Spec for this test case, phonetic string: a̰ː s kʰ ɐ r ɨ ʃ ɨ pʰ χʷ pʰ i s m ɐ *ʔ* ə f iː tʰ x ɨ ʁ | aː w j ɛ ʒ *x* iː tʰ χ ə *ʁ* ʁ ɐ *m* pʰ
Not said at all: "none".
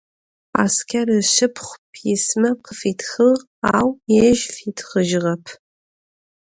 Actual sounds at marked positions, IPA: q, f, ʒ, none

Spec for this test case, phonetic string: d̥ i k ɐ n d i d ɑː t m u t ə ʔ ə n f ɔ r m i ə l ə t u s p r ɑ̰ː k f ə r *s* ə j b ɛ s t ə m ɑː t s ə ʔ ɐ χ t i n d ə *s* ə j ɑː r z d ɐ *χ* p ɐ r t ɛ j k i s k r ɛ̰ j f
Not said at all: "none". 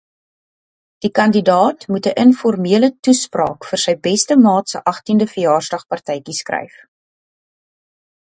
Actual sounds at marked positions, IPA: s, f, χ

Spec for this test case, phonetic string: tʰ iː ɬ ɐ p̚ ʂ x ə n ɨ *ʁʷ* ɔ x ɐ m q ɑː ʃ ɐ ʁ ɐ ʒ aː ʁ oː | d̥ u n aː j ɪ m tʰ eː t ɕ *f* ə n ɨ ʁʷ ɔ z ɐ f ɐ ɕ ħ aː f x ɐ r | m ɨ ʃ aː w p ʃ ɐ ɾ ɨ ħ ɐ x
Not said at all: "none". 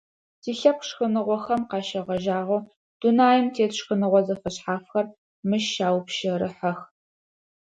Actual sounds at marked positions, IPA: ʁʷ, x

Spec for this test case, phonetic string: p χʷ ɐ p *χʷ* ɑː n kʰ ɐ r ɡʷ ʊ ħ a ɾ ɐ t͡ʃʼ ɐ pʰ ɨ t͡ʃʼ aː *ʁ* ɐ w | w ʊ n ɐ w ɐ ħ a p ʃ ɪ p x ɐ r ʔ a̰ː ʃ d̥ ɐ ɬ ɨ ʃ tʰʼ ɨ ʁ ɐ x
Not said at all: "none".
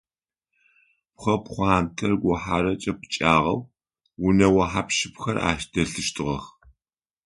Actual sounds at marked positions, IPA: χʷ, ʁ

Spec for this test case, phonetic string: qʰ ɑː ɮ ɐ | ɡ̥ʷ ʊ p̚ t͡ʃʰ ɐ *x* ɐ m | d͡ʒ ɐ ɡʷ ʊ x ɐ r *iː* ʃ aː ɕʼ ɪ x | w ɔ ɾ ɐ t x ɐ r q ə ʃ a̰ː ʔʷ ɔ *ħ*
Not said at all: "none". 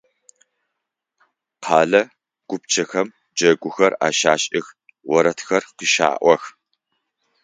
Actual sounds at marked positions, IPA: x, aː, x

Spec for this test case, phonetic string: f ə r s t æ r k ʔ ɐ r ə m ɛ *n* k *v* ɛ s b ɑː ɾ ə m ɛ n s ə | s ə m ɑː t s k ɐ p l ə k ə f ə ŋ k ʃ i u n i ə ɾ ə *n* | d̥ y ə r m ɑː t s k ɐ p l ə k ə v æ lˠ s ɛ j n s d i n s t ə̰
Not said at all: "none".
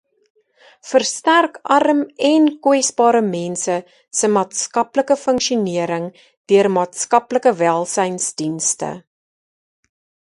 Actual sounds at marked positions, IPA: n, w, ŋ

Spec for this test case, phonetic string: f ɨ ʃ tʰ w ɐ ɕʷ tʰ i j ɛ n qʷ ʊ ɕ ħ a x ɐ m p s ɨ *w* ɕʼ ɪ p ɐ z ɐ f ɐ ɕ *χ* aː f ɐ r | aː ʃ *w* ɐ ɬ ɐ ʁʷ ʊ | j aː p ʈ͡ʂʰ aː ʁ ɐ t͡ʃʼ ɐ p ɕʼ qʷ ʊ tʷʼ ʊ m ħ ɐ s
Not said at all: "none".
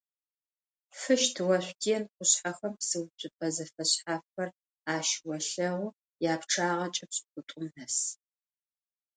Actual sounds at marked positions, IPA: w, ħ, w

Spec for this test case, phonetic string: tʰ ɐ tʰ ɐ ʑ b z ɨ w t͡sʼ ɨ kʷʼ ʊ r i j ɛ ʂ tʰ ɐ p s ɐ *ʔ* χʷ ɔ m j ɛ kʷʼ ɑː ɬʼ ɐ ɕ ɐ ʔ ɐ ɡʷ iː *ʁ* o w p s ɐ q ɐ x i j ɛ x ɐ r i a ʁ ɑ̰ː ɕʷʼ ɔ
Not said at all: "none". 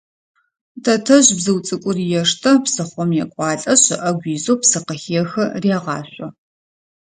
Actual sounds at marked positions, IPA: none, z

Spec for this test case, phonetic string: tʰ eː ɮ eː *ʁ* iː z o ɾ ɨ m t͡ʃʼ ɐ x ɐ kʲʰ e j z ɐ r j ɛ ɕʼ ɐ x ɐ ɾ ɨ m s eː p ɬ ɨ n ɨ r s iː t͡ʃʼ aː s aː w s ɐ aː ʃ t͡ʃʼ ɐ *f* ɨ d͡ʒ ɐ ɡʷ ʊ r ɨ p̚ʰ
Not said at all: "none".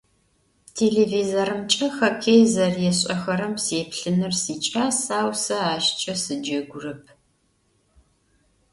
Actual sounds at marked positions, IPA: v, s

